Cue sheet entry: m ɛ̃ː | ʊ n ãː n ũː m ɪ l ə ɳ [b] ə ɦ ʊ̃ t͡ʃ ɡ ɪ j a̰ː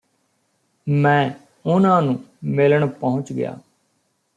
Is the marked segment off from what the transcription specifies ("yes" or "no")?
yes